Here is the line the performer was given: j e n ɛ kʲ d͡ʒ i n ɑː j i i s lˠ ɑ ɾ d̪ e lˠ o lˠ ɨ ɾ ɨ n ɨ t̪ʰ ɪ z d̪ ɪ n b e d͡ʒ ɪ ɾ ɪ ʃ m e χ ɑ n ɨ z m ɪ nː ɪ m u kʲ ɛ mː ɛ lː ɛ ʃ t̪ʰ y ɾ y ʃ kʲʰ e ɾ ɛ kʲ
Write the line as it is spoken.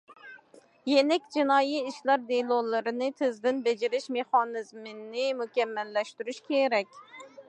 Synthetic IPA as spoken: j e n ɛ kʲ d͡ʒ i n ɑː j i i ʃ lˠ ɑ ɾ d̪ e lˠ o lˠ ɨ ɾ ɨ n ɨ t̪ʰ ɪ z d̪ ɪ n b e d͡ʒ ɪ ɾ ɪ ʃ m e χ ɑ n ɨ z m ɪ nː ɪ m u kʲ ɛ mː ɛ lː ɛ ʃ t̪ y ɾ y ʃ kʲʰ e ɾ ɛ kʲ

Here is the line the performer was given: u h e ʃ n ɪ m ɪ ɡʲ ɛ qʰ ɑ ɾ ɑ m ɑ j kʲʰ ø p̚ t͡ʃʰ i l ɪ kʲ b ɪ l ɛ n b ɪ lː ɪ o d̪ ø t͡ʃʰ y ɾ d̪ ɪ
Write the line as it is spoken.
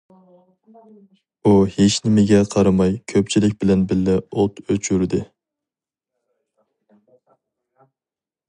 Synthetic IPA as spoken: u h e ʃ n ɪ m ɪ ɡʲ ɛ qʰ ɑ ɾ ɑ m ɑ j kʲʰ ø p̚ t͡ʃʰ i l ɪ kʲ b ɪ l ɛ n b ɪ lː ɪ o t̪ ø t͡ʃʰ y ɾ d̪ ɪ

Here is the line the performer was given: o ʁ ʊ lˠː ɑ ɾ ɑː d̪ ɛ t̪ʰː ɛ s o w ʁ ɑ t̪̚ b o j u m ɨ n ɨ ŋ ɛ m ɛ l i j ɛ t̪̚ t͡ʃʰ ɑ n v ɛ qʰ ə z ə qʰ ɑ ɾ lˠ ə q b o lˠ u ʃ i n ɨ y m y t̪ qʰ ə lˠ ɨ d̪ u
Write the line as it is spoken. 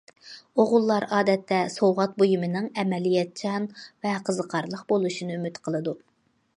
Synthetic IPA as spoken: o ʁ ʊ lˠː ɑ ɾ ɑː d̪ ɛ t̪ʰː ɛ s o w ʁ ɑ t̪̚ b o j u m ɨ n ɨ ŋ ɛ m ɛ l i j ɛ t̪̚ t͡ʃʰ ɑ n v ɛ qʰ ə z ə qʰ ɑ ɾ lˠ ə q b o lˠ u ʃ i n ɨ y m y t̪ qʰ ə lˠ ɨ d̪ u

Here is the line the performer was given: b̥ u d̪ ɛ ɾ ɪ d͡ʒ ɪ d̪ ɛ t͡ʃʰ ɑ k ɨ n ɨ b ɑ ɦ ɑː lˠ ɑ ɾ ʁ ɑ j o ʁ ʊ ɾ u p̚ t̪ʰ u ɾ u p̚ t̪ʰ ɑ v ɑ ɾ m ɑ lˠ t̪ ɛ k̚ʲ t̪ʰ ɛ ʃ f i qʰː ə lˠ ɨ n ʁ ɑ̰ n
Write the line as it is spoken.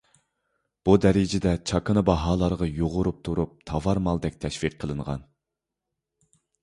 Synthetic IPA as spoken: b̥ u d̪ ɛ ɾ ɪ d͡ʒ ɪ d̪ ɛ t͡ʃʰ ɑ k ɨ n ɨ b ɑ ɦ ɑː lˠ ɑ ɾ ʁ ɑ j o ʁ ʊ ɾ u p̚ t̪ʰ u ɾ u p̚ t̪ʰ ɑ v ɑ ɾ m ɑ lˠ d̪ ɛ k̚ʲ t̪ʰ ɛ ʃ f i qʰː ə lˠ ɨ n ʁ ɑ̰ n

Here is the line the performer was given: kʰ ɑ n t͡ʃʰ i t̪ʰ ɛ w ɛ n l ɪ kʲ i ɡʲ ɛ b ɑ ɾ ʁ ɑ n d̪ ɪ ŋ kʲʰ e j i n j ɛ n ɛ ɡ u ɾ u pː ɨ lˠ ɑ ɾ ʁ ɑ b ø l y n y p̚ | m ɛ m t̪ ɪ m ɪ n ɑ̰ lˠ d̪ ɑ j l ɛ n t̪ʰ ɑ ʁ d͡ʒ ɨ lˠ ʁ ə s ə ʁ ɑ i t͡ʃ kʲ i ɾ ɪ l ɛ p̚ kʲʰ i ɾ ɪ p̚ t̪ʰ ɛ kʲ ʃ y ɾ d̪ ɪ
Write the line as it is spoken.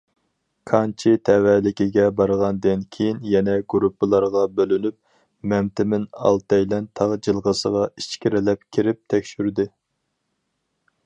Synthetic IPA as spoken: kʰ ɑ n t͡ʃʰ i t̪ʰ ɛ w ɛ l ɪ kʲ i ɡʲ ɛ b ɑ ɾ ʁ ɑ n d̪ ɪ n kʲʰ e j i n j ɛ n ɛ ɡ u ɾ u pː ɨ lˠ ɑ ɾ ʁ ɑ b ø l y n y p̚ | m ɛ m t̪ ɪ m ɪ n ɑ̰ lˠ t̪ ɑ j l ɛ n t̪ʰ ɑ ʁ d͡ʒ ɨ lˠ ʁ ə s ə ʁ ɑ i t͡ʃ kʲ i ɾ ɪ l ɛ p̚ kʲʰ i ɾ ɪ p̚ t̪ʰ ɛ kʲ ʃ y ɾ d̪ ɪ

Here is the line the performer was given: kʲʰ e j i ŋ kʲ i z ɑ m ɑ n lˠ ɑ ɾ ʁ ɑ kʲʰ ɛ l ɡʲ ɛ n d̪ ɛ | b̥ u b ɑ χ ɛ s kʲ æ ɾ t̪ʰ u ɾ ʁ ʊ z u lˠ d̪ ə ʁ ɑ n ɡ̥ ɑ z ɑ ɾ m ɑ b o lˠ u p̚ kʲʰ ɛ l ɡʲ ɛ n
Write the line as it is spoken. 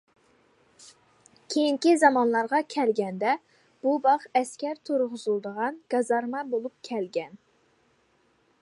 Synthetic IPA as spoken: kʲʰ e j i ŋ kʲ i z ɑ m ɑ n lˠ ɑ ɾ ʁ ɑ kʲʰ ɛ l ɡʲ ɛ n d̪ ɛ | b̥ u b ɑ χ ɛ s kʲ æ ɾ t̪ʰ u ɾ ʁ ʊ z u lˠ d̪ ə ʁ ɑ n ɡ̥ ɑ z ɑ ɾ m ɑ b o lˠ u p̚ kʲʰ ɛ l ɡʲ ɛ n

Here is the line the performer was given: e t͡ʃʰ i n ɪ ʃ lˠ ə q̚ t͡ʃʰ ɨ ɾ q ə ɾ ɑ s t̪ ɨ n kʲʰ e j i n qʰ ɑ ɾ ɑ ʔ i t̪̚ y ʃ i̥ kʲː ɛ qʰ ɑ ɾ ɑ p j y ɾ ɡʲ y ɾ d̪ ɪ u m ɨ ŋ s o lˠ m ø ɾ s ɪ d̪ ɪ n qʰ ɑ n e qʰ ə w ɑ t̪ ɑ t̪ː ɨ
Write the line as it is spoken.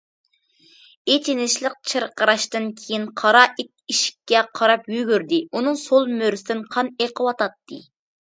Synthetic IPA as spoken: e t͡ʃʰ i n ɪ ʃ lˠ ə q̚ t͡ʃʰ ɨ ɾ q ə ɾ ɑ ʃ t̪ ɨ n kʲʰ e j i n qʰ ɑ ɾ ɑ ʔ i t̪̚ i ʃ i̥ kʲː ɛ qʰ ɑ ɾ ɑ p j y ɡʲ y ɾ d̪ ɪ u n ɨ ŋ s o lˠ m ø ɾ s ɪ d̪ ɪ n qʰ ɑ n e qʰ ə w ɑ t̪ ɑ t̪ː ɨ

